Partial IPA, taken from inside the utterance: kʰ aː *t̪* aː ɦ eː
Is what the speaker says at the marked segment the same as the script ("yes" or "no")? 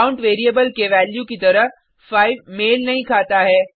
yes